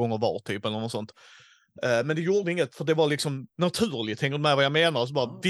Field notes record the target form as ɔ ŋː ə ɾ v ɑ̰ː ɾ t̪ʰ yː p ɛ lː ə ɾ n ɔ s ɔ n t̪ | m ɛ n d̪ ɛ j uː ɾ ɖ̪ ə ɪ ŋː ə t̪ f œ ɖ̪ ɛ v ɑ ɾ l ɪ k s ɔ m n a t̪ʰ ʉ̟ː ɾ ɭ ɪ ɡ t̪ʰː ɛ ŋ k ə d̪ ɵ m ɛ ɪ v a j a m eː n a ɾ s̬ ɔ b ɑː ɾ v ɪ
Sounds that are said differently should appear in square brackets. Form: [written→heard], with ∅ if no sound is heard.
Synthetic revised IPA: ɔ ŋː ə ɾ v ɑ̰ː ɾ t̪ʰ yː p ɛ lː ə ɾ n ɔ s ɔ n t̪ | m ɛ n d̪ ɛ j uː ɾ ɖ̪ ə ɪ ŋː ə t̪ f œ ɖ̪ ɛ v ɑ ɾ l ɪ k s ɔ m n a t̪ʰ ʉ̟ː ɾ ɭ ɪ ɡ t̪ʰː ɛ ŋ k ə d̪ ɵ m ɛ ɪ v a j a m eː n a ɾ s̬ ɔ b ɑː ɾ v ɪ